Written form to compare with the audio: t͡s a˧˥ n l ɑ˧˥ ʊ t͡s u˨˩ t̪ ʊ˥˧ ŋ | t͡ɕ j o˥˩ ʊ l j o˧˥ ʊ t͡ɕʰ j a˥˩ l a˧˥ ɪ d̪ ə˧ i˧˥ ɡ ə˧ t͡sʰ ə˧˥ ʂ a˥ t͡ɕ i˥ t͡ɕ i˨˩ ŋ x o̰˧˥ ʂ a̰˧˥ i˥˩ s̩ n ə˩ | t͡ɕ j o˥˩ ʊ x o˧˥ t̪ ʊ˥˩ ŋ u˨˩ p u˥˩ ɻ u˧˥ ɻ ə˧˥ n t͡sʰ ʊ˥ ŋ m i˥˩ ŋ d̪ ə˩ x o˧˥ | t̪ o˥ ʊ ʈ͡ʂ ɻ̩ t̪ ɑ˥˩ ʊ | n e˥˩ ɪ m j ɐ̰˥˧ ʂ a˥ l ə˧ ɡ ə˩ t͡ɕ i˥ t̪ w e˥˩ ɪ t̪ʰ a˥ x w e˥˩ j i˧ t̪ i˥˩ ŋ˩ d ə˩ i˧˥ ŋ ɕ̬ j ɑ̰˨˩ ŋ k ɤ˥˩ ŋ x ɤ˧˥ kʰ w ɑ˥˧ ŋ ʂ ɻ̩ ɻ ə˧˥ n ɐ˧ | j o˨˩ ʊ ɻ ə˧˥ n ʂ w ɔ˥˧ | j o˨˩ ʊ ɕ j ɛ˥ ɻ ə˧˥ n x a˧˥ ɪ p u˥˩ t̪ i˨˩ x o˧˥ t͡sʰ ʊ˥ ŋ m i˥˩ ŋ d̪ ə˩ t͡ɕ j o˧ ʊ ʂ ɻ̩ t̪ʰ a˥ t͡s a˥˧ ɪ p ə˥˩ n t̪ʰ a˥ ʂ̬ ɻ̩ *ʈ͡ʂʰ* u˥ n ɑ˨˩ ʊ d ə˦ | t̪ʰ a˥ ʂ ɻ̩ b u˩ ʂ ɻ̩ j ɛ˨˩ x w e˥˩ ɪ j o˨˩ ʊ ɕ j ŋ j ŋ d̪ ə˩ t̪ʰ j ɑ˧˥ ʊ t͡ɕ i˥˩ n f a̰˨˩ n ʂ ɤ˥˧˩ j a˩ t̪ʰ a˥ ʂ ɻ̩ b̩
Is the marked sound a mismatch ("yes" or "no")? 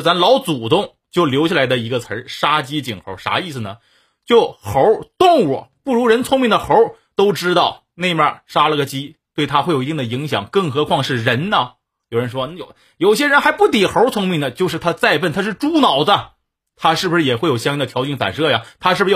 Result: yes